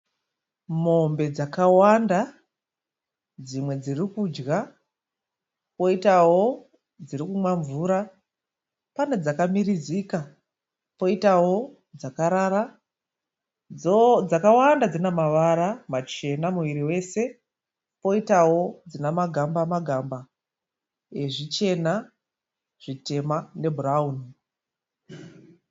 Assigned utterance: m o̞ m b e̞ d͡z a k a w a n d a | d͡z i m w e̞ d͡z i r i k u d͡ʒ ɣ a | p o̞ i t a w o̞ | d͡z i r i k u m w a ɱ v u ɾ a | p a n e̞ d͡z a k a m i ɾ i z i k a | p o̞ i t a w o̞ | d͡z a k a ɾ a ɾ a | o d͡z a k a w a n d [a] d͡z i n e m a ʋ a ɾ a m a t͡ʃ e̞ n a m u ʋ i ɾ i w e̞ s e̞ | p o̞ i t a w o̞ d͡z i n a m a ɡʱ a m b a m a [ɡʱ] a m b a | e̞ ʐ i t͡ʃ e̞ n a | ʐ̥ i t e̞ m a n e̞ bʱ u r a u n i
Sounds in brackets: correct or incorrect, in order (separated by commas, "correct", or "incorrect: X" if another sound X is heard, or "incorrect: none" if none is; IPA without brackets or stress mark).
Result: correct, correct